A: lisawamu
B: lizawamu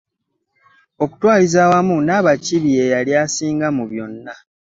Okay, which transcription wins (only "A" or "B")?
B